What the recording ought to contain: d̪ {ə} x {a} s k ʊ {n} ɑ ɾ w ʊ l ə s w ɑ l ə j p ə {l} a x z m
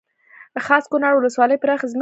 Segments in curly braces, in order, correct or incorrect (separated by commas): correct, incorrect, correct, incorrect